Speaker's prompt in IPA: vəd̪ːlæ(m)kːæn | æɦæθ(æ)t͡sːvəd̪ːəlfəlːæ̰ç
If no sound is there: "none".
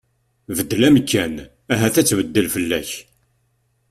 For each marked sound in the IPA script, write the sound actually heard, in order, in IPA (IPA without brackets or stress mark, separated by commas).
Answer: m, æ